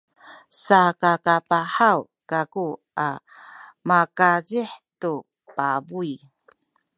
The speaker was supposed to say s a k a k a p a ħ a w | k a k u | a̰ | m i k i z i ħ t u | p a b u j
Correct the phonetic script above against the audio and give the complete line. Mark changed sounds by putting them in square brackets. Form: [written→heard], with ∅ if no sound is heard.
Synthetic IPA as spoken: s a k a k a p a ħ a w | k a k u | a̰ | m [i→a] k [i→a] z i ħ t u | p a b u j